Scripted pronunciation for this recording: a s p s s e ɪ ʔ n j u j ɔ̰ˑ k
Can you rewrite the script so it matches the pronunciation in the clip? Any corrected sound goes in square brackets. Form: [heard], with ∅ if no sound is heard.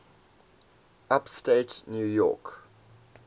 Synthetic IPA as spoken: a [∅] p s [t] e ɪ [t] n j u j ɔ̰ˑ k